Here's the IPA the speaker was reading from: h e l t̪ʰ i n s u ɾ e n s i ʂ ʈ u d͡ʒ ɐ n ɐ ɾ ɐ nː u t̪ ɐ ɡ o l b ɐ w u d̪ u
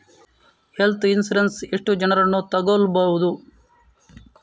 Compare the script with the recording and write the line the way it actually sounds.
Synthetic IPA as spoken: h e l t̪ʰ i n s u ɾ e n s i ʂ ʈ u d͡ʒ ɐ n ɐ ɾ ɐ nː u t̪ ɐ ɡ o l b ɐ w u d̪ u